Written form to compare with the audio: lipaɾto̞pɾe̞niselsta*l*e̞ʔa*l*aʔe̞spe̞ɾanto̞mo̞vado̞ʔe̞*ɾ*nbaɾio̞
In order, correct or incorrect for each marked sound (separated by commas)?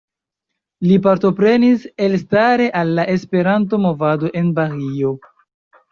incorrect, incorrect, incorrect